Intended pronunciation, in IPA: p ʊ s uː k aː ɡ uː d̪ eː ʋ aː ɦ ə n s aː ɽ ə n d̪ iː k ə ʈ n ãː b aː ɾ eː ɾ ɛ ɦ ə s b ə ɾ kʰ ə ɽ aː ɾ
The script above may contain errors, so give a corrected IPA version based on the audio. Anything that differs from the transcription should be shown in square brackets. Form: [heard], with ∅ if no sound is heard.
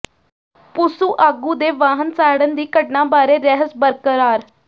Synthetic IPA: p ʊ s uː [ʔ] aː ɡ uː d̪ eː ʋ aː ɦ ə n s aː ɽ ə n d̪ iː k ə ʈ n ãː b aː ɾ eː ɾ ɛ ɦ ə s b ə ɾ [k] ə [ɾ] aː ɾ